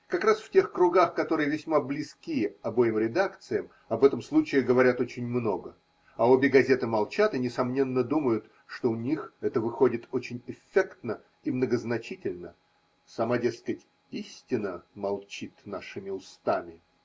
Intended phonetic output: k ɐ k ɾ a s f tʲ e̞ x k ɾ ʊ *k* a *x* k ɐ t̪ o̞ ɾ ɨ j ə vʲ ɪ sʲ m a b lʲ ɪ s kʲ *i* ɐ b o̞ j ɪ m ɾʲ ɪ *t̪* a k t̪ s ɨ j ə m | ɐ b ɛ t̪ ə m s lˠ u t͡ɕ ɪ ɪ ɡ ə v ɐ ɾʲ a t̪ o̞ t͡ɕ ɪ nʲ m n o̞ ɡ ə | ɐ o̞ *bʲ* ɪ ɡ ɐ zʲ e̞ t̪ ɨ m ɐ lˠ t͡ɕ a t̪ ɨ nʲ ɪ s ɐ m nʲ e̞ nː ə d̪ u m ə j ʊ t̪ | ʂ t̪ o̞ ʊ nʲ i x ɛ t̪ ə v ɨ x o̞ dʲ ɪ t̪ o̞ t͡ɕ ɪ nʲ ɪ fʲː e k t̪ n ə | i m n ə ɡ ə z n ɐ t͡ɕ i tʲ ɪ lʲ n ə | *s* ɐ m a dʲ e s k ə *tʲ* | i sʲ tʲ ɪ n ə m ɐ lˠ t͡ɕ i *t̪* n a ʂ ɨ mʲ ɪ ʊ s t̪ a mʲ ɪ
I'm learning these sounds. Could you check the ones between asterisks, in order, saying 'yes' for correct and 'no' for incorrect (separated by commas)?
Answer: no, yes, yes, no, yes, yes, yes, yes